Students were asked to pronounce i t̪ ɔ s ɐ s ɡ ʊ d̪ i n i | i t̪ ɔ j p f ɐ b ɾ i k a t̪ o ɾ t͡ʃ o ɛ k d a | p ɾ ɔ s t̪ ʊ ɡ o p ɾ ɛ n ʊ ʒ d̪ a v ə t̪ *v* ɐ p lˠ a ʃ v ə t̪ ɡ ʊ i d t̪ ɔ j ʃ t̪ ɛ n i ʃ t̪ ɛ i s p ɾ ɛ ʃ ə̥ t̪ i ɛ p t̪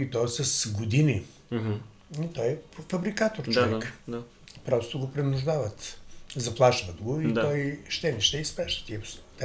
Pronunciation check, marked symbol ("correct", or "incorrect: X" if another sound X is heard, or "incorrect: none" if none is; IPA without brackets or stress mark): incorrect: z